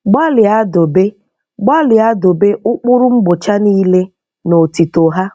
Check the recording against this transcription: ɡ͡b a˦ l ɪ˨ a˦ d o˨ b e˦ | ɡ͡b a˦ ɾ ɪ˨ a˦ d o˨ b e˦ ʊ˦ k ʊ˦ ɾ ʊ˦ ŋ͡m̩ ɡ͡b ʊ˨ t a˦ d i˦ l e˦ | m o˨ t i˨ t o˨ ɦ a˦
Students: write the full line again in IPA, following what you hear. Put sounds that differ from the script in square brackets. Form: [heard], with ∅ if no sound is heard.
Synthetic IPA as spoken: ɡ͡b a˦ l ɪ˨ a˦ d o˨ b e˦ | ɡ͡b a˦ [l] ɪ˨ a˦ d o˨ b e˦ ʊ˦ [k͡p] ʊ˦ ɾ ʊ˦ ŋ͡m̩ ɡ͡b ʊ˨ [t͡ʃ] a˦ [n] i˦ l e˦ | [n] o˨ t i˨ t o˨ ɦ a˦